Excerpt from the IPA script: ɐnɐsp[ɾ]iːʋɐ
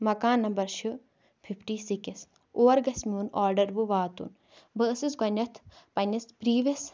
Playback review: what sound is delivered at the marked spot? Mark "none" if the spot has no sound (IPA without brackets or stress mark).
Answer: ɾ